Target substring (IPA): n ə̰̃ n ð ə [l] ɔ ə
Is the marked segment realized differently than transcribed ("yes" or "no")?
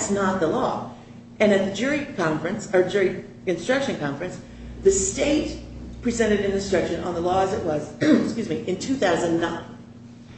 no